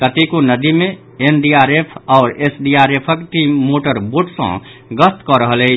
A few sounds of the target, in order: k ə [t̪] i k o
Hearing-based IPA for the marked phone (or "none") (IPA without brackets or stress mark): t̪